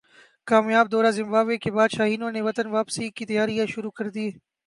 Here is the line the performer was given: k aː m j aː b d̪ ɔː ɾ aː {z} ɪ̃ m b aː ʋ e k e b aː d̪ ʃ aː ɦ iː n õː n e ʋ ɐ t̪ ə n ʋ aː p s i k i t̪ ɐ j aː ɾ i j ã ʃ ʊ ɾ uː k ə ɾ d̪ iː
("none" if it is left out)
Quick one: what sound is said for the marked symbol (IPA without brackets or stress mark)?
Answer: z